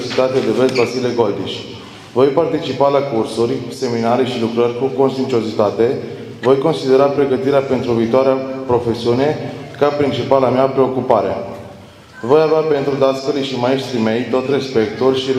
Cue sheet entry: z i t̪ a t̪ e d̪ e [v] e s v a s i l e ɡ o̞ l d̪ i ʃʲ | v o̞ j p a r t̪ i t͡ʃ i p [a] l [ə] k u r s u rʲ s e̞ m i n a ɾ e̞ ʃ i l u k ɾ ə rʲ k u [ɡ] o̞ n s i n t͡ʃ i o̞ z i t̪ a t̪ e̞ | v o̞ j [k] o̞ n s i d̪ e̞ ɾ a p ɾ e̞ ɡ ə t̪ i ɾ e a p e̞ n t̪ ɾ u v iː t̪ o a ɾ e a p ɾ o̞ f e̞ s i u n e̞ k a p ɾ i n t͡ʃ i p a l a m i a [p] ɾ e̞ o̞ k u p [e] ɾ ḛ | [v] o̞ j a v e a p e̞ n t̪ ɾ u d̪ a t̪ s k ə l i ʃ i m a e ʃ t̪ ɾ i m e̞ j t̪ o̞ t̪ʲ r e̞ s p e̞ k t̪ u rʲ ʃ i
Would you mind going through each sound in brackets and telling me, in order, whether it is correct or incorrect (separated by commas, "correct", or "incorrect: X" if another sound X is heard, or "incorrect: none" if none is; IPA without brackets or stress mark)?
correct, correct, incorrect: a, incorrect: k, correct, correct, incorrect: a, correct